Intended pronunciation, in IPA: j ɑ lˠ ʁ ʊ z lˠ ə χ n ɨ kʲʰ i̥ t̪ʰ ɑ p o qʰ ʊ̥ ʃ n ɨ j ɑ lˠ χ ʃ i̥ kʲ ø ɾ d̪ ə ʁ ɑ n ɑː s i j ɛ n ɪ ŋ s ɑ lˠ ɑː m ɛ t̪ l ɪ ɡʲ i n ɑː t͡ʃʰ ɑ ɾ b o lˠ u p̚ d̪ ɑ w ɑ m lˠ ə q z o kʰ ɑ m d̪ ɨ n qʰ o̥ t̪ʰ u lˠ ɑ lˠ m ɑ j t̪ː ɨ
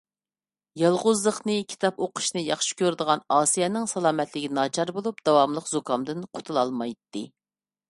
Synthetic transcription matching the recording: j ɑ lˠ ʁ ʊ z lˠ ə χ n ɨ kʲʰ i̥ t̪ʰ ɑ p o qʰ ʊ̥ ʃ n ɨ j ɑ χ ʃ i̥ kʲ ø ɾ d̪ ə ʁ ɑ n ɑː s i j ɛ n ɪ ŋ s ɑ lˠ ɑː m ɛ t̪ l ɪ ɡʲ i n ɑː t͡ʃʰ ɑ ɾ b o lˠ u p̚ d̪ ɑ w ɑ m lˠ ə q z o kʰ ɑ m d̪ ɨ n qʰ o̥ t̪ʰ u lˠ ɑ lˠ m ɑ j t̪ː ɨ